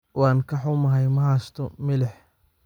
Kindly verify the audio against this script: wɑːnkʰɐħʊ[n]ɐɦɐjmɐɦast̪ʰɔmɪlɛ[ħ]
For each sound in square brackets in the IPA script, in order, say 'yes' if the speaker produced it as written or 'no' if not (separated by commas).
no, yes